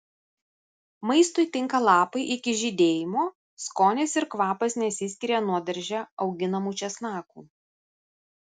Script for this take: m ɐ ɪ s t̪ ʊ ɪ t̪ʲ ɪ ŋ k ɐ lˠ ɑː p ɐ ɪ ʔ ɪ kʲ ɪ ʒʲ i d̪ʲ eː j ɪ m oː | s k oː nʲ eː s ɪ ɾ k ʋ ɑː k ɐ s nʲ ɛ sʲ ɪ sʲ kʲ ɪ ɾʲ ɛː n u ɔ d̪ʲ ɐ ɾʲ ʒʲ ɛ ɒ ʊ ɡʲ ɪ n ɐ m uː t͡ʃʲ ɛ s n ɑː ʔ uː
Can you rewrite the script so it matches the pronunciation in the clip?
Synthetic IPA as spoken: m ɐ ɪ s t̪ ʊ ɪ t̪ʲ ɪ ŋ k ɐ lˠ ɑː p ɐ ɪ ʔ ɪ kʲ ɪ ʒʲ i d̪ʲ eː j ɪ m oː | s k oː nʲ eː s ɪ ɾ k ʋ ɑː p ɐ s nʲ ɛ sʲ ɪ sʲ kʲ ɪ ɾʲ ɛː n u ɔ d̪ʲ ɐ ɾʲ ʒʲ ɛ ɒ ʊ ɡʲ ɪ n ɐ m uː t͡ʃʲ ɛ s n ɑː k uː